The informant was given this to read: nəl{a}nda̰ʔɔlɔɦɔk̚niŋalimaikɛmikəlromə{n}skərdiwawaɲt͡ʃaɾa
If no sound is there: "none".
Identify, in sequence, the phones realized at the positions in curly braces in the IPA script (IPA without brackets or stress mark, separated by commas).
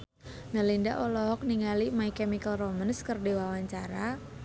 i, n